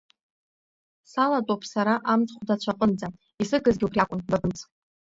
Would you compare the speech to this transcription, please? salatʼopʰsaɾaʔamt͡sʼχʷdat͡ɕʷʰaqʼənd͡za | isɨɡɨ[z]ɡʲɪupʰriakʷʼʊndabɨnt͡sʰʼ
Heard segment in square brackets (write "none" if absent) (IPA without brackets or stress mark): z